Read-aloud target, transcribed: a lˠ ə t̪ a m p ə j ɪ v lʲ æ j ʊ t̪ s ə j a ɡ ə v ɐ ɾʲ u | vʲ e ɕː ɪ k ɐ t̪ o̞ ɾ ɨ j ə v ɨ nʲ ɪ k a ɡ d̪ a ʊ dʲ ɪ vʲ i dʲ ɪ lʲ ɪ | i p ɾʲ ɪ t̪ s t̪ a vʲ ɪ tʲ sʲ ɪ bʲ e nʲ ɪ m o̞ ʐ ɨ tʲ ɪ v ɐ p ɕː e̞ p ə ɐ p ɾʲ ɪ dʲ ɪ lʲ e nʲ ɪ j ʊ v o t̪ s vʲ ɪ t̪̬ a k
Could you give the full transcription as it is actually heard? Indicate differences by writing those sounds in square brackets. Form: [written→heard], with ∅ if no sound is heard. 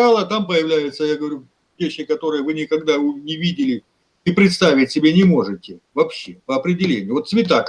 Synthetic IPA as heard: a lˠ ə t̪ a m p ə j ɪ v lʲ æ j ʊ t̪ s ə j a ɡ ə v ɐ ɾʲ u | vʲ e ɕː ɪ k ɐ t̪ o̞ ɾ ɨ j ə v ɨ nʲ ɪ k [a→ɐ] ɡ d̪ a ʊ [dʲ→nʲ] ɪ vʲ i dʲ ɪ lʲ ɪ | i p ɾʲ ɪ t̪ s t̪ a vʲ ɪ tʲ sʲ ɪ bʲ e nʲ ɪ m o̞ ʐ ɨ tʲ ɪ v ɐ p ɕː e̞ p ə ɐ p ɾʲ ɪ dʲ ɪ lʲ e nʲ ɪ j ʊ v o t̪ s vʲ ɪ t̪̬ a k